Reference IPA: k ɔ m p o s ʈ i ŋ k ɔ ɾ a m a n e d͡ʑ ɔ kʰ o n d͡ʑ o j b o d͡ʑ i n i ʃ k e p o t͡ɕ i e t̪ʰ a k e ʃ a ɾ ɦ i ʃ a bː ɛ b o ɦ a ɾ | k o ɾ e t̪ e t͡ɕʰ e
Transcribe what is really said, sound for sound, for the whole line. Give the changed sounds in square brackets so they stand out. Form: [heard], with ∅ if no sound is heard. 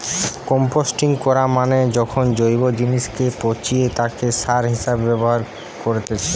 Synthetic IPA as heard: k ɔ m p o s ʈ i ŋ k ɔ ɾ a m a n e d͡ʑ ɔ kʰ o n d͡ʑ o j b o d͡ʑ i n i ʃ k e p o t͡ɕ i e [t̪] a k e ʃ a ɾ ɦ i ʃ a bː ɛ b o ɦ a ɾ | k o ɾ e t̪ e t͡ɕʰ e